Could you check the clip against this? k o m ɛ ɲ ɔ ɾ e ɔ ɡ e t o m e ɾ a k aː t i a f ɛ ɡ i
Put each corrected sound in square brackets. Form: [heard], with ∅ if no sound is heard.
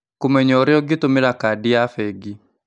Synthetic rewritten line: k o m ɛ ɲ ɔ ɾ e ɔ ɡ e t o m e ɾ a k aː [d] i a f ɛ ɡ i

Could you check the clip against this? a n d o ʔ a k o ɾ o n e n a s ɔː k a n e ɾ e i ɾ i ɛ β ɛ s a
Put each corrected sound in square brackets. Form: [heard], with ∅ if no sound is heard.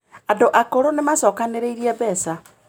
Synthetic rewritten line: a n d o ʔ a k o ɾ o n e [m] a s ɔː k a n e ɾ e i ɾ i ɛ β ɛ s a

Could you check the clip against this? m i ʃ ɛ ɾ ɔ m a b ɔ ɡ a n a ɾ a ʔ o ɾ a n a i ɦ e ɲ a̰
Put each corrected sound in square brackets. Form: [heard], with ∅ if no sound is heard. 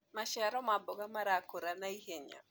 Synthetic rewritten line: m [a] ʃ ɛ ɾ ɔ m a b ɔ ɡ a [m] a ɾ a [k] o ɾ a n a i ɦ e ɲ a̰

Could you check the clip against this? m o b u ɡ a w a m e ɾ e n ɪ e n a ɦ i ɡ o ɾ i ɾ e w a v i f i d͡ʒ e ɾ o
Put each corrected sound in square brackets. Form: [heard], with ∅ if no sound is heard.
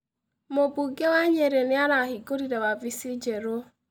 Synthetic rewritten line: m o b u ɡ [e] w a [ɲ] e ɾ e n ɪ [a] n a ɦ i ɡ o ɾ i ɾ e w a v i [s] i d͡ʒ e ɾ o

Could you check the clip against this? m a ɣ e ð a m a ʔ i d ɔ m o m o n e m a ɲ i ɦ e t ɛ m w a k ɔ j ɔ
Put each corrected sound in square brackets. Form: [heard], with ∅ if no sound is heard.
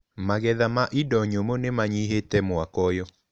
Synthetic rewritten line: m a ɣ [ɛ] ð a m a ʔ i d ɔ [ɲ] o m o n e m a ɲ i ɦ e t ɛ m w a k ɔ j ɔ

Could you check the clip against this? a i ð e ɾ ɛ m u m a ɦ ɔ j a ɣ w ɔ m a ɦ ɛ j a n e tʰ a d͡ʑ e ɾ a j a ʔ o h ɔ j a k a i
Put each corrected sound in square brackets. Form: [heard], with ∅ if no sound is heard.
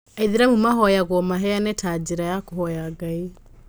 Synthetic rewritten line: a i ð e ɾ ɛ m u m a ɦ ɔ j a ɣ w ɔ m a ɦ ɛ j a n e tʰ a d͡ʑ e ɾ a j a [k] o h ɔ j a [ɡ] a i

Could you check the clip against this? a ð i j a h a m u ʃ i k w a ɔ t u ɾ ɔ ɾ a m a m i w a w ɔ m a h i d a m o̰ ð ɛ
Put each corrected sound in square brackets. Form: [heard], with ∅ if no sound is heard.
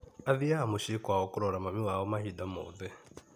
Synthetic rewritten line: a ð i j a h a m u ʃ i k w a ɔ [k] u ɾ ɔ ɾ a m a m i w a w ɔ m a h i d a m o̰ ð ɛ

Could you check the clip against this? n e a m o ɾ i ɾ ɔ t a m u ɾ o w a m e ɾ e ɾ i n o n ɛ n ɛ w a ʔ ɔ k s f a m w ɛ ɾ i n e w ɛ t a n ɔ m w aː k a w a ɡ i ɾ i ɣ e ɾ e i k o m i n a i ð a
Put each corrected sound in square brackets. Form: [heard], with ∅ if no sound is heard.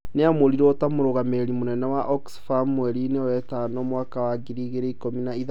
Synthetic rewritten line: n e a m o ɾ i ɾ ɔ t a m [o] ɾ o [ɣ] a m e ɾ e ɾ i [m] o n ɛ n ɛ w a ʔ ɔ k s f a m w ɛ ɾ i n e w ɛ t a n ɔ m w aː k a w a ɡ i ɾ i ɣ e ɾ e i k o m i n a i ð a

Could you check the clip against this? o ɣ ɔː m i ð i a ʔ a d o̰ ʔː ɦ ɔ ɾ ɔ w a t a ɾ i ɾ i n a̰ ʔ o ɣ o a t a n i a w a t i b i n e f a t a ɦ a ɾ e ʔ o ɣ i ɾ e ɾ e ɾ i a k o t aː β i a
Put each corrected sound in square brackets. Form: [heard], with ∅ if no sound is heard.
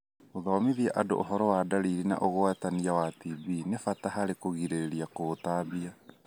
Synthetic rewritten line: o [ð] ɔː m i ð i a ʔ a d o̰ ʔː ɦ ɔ ɾ ɔ w a [d] a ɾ i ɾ i n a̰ ʔ o ɣ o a t a n i a w a t i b i n e f a t a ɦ a ɾ e [k] o ɣ i ɾ e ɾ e ɾ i a k o t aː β i a

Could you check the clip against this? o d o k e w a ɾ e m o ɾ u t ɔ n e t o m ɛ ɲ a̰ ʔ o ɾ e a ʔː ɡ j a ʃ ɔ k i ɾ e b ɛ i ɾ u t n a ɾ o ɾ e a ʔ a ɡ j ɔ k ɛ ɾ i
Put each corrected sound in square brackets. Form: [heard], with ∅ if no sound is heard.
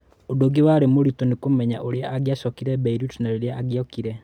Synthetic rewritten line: o d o [ɡ] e w a ɾ e m o ɾ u t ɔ n e [k] o m ɛ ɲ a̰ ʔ o ɾ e a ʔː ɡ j a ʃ ɔ k i ɾ [ɛ] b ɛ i ɾ u t n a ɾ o ɾ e a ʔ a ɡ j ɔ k [i] ɾ [ɛ]

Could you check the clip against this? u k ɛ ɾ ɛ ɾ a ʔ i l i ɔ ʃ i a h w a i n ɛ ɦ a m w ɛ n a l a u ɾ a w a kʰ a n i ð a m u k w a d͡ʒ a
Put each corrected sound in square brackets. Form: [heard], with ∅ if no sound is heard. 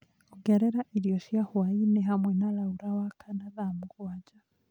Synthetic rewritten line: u [ɡ] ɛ ɾ ɛ ɾ a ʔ i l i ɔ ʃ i a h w a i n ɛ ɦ a m w ɛ n a l a u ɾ a w a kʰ a n [a] ð a m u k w a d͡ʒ a

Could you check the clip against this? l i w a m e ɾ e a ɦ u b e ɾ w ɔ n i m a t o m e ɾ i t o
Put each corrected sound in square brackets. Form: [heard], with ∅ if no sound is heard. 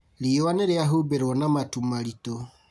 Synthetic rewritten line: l i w a [n] e ɾ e a ɦ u b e ɾ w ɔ n [a] m a t [u] m [a] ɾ i t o

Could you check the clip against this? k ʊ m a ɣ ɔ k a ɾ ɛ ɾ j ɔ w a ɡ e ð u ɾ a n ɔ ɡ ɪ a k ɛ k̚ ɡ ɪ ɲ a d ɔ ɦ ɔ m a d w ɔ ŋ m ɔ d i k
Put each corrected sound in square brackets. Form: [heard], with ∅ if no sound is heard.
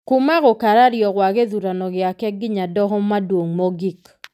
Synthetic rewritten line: k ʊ m a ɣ ɔ k a ɾ [a] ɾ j ɔ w a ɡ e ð u ɾ a n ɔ ɡ ɪ a k ɛ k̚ ɡ ɪ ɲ a d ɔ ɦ ɔ m a d w [o] ŋ m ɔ [ɡ] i k

